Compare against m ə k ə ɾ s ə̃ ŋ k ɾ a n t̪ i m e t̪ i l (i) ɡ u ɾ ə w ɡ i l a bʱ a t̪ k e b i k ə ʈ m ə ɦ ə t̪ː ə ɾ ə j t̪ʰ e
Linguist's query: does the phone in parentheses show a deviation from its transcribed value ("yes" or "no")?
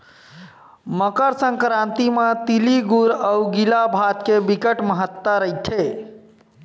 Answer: no